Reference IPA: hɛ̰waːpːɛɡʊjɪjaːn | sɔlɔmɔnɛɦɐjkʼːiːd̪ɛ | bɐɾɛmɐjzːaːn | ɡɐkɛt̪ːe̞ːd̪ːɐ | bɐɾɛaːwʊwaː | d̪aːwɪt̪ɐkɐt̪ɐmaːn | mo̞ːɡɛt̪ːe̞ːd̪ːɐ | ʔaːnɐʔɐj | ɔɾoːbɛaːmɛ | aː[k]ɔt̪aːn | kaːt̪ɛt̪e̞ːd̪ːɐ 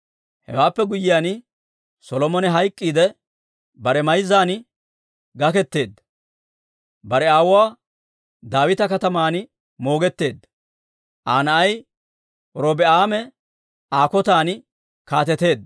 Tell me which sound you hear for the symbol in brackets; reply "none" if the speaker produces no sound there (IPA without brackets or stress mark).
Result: k